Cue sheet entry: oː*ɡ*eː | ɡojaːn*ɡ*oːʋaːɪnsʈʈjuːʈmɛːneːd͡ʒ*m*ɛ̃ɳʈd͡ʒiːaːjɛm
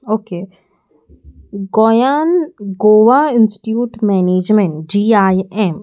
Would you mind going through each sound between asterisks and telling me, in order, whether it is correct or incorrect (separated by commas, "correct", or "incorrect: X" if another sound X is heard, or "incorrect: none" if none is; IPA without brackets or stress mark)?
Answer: incorrect: k, correct, correct